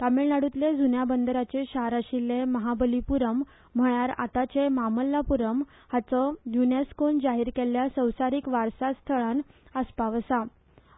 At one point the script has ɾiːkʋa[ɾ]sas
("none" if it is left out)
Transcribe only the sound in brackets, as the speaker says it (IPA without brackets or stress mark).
ɾ